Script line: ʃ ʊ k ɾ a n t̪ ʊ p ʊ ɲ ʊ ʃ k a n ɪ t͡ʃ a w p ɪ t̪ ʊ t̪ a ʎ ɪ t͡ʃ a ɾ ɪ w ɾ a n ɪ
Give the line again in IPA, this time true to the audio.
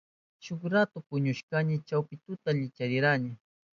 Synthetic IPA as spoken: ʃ ʊ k ɾ a t̪ ʊ p ʊ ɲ ʊ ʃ k a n ɪ t͡ʃ a w p ɪ t̪ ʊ t̪ a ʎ ɪ t͡ʃ a ɾ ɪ ɾ a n ɪ